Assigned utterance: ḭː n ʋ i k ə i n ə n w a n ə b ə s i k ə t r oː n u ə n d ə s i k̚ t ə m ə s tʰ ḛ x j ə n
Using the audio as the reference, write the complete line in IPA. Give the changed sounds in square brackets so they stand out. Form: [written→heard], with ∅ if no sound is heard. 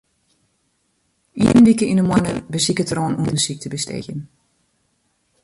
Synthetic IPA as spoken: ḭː n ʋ i k ə i n ə [n→m] w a n ə b ə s i k ə t r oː n u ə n d ə s i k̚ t ə [m→b] ə s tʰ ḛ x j ə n